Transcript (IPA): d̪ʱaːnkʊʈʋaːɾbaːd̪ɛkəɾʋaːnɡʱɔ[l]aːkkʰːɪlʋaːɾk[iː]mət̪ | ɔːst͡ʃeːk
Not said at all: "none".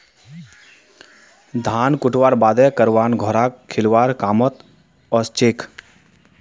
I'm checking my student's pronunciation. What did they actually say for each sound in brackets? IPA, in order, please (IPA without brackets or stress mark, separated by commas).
ɾ, aː